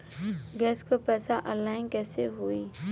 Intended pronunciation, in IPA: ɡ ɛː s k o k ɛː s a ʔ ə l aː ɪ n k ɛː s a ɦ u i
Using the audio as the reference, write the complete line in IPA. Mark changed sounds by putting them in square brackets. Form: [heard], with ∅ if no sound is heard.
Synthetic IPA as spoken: ɡ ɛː s k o [p] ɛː s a ʔ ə l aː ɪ n k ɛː s [e] ɦ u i